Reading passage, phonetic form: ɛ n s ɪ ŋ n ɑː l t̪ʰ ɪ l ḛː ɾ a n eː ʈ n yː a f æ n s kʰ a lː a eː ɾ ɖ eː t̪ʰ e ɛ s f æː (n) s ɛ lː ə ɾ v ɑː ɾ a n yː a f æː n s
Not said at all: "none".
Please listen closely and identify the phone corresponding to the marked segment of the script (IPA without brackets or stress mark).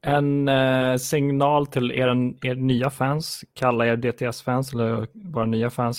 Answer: n